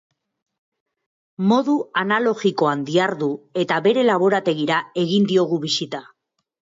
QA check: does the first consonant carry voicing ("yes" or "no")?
yes